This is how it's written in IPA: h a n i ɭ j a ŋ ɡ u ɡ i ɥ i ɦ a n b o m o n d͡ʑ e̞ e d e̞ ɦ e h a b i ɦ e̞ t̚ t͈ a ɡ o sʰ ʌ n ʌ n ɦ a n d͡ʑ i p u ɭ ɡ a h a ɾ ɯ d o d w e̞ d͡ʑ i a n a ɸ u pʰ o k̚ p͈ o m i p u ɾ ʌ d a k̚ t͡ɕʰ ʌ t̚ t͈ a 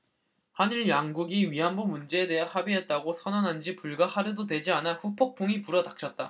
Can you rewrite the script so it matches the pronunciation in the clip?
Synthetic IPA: h a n i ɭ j a ŋ ɡ u ɡ i ɥ i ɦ a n b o m u n d͡ʑ e̞ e d e̞ ɦ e h a b i ɦ e̞ t̚ t͈ a ɡ o sʰ ʌ n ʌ n ɦ a n d͡ʑ i p u ɭ ɡ a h a ɾ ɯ d o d w e̞ d͡ʑ i a n a ɸ u pʰ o k̚ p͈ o ŋ i p u ɾ ʌ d a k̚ t͡ɕʰ ʌ t̚ t͈ a